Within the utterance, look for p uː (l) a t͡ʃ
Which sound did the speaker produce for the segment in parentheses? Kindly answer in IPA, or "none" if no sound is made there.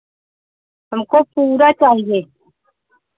ɾ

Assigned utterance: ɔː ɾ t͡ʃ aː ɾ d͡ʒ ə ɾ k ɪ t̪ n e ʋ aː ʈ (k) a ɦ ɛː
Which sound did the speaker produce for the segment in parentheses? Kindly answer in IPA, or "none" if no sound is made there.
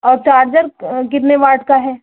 k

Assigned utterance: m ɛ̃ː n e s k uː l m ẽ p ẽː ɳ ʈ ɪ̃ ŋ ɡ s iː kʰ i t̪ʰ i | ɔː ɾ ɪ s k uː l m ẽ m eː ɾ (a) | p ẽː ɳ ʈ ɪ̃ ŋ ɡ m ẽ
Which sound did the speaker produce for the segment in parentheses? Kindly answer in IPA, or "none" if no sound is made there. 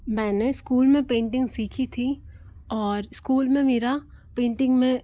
a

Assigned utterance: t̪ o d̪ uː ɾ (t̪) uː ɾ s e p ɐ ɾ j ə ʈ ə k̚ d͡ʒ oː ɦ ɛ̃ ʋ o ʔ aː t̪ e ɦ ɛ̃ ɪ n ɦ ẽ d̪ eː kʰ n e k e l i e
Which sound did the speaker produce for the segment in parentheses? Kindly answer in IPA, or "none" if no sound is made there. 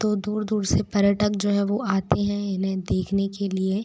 d̪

